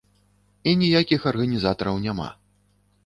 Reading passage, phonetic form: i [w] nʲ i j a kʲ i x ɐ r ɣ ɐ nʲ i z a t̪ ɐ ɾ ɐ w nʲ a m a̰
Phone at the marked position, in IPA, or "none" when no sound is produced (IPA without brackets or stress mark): none